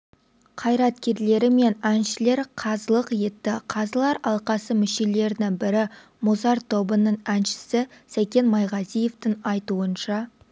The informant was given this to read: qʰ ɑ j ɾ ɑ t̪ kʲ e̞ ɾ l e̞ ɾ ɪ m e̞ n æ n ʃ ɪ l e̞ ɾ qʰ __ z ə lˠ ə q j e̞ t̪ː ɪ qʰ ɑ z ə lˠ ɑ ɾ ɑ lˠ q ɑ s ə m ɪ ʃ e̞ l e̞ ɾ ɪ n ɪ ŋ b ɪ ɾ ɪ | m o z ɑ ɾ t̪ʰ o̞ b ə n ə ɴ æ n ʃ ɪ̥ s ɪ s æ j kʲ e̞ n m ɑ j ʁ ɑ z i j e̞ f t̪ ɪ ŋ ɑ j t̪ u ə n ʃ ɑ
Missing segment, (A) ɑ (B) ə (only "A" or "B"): A